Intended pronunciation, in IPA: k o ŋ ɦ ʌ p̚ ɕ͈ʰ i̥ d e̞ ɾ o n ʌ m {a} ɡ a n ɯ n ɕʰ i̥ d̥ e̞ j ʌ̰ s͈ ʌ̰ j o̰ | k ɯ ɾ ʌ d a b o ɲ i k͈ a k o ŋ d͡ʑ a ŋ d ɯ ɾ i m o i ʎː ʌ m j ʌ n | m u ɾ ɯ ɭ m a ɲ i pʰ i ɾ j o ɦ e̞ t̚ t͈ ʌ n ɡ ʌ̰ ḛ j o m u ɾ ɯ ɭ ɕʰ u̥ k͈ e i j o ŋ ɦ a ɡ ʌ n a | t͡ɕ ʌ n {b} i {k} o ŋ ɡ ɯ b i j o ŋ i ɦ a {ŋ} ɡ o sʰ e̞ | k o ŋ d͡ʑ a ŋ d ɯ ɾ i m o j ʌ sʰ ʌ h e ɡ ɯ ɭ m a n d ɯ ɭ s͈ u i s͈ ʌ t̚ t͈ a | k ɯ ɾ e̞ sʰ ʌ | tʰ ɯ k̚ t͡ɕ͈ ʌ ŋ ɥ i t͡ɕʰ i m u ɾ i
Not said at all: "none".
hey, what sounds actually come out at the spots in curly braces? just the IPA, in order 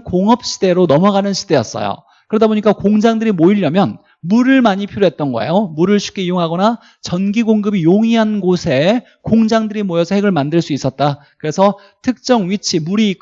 ʌ, ɡ, ɡ, n

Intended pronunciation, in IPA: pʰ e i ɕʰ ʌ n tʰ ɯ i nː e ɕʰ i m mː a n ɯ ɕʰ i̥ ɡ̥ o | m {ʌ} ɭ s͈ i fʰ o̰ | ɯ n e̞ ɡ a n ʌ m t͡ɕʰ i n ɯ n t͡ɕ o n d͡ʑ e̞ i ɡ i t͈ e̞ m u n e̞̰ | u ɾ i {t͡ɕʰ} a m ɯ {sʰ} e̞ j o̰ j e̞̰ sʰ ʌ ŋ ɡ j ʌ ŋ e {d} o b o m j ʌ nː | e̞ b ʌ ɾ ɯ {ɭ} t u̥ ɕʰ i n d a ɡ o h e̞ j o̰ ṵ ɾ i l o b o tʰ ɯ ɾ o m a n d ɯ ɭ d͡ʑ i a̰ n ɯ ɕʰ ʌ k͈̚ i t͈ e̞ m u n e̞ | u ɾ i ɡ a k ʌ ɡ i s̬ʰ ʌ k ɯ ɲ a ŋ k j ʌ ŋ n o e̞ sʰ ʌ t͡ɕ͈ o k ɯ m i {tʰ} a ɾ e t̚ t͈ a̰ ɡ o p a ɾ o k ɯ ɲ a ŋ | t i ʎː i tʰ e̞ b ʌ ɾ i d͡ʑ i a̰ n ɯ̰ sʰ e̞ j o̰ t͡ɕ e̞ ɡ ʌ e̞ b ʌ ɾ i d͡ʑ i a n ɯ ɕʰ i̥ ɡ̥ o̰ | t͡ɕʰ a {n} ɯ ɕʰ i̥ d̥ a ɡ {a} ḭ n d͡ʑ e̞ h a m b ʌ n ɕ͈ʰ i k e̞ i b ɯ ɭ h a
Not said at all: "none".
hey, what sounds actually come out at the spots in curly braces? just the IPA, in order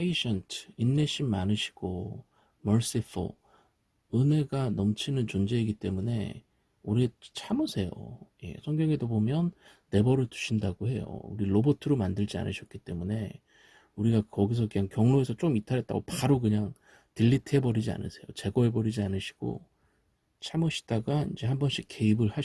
ʌ, t͡ɕʰ, sʰ, d, ɭ, tʰ, m, a

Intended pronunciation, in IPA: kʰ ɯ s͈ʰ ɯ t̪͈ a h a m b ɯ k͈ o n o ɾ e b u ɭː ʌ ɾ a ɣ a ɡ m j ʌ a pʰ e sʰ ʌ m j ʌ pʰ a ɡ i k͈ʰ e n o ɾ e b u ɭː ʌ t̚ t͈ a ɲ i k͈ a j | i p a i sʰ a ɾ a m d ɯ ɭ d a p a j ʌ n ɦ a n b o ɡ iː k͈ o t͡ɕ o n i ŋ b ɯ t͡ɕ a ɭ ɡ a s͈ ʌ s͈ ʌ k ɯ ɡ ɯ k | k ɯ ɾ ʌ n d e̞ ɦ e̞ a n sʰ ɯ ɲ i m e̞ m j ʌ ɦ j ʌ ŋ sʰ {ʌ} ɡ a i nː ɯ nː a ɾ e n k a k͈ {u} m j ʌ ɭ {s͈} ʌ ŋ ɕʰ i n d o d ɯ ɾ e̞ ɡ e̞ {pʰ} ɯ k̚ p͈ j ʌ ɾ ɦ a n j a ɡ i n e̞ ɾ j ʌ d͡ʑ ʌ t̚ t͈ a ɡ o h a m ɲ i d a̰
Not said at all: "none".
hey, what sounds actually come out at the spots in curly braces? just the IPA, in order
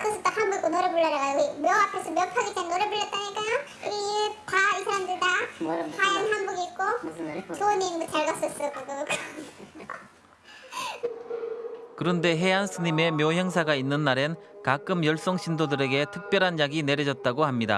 a, ɯ, s͈, tʰ

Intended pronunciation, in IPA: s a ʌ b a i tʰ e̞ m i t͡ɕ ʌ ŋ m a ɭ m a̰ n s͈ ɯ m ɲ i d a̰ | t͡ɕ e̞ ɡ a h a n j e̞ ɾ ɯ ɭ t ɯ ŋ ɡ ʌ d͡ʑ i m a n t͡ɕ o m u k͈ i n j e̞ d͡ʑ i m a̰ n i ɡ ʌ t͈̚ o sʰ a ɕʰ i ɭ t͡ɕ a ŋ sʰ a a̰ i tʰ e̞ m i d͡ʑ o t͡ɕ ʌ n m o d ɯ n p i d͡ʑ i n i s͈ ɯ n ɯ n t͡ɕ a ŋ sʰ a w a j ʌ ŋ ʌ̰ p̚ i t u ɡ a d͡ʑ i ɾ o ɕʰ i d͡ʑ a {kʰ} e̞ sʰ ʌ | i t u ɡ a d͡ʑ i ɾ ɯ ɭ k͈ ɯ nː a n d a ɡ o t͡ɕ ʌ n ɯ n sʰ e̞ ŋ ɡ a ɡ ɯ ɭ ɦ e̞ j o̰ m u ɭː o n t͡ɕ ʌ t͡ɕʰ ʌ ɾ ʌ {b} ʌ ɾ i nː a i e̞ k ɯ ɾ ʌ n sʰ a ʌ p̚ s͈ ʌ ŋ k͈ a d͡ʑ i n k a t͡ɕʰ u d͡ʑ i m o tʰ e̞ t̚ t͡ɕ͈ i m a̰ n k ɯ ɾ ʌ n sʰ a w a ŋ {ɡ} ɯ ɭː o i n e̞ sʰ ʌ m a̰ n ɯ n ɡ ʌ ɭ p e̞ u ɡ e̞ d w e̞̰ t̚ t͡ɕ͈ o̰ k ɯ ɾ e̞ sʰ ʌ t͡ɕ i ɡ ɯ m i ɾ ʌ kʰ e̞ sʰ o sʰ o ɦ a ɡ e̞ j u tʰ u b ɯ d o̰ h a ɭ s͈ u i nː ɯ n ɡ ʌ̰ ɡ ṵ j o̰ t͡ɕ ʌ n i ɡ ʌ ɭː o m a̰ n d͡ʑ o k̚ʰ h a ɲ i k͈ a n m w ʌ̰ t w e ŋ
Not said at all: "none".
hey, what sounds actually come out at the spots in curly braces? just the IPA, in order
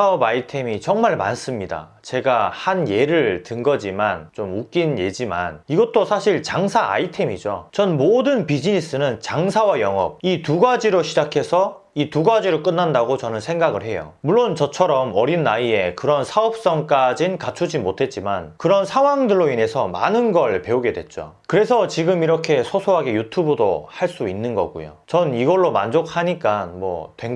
kʰ, m, d

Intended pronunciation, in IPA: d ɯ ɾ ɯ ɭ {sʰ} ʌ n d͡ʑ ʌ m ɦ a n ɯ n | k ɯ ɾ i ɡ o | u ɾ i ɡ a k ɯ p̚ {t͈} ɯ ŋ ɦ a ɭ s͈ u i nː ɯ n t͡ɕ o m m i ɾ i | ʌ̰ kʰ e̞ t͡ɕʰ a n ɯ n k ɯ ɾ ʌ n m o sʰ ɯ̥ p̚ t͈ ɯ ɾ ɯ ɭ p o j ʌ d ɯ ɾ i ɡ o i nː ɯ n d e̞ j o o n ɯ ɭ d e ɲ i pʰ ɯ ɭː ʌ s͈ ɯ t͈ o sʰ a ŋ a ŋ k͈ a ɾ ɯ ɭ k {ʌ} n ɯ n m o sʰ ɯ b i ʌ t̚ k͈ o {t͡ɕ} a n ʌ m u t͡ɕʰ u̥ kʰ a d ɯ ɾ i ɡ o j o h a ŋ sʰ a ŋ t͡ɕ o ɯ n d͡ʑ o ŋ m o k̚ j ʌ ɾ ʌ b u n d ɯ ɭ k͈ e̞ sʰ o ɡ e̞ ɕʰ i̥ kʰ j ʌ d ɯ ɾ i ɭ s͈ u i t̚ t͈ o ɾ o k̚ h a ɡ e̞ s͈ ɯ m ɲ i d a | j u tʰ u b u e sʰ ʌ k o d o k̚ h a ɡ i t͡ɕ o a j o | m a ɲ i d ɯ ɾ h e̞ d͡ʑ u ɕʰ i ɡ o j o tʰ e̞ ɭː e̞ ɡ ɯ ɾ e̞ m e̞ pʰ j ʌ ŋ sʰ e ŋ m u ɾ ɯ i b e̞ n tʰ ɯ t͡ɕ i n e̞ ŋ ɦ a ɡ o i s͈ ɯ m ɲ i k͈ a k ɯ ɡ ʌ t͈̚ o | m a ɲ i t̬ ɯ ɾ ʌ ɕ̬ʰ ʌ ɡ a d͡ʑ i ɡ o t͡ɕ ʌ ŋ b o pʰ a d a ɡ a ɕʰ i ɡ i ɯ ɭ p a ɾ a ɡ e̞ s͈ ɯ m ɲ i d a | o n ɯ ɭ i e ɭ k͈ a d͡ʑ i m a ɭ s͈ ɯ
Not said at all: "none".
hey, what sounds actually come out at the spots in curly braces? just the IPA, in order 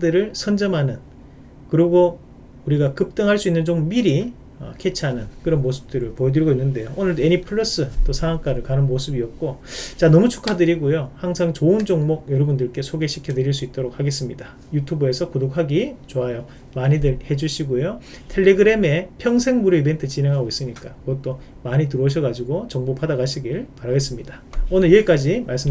sʰ, t͈, a, t͡ɕ

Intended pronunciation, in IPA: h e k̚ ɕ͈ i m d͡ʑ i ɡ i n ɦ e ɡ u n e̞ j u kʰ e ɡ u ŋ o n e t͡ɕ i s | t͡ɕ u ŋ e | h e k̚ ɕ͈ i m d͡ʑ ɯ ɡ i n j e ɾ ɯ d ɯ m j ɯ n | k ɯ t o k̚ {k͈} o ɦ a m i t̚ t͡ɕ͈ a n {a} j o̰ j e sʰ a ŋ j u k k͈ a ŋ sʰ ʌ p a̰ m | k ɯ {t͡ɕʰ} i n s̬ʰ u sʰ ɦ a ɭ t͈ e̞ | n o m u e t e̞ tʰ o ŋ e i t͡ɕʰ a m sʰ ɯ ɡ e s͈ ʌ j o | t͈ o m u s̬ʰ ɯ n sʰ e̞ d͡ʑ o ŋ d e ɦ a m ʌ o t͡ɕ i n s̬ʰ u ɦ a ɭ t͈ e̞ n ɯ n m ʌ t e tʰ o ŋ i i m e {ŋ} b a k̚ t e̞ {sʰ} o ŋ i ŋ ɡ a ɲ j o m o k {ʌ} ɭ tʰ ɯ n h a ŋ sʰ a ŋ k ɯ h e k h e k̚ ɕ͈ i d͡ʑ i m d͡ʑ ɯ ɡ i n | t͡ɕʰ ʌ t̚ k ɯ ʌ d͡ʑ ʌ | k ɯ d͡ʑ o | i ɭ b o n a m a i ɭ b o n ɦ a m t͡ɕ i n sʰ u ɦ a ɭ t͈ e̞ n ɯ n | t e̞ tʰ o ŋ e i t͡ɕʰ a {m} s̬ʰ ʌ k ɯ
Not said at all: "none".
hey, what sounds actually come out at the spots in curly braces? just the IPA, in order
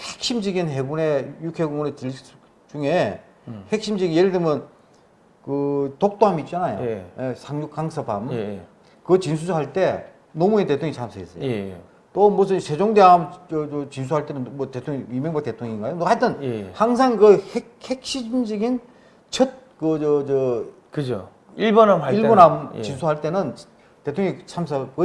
t͈, a, t͡ɕ, ŋ, tʰ, a, m

